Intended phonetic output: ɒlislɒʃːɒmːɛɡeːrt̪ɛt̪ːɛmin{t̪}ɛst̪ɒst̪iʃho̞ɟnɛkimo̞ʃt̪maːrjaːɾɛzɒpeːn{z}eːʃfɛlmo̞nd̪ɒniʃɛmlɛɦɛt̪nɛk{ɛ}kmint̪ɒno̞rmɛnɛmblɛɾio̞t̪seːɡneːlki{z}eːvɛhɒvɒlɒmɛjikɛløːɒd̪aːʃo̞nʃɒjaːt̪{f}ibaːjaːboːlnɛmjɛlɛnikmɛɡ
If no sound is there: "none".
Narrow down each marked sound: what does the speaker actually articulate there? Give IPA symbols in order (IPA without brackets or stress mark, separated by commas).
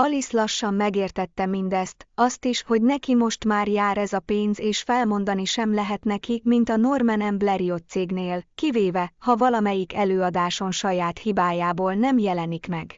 d̪, z, i, v, h